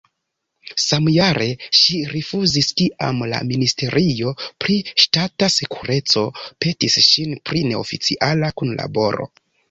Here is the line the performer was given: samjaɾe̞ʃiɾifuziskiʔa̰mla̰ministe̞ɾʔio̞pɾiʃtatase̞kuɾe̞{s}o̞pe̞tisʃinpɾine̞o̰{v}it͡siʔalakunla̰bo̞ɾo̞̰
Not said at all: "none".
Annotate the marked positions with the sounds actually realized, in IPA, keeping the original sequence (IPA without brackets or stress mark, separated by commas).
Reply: t͡s, f